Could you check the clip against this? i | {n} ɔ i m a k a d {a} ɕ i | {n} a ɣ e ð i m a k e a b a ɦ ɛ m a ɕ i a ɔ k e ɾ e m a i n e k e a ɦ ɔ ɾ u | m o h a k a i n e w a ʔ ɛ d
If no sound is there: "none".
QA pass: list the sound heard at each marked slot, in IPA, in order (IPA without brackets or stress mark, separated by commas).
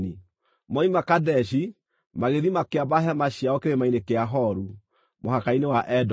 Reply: m, ɛ, m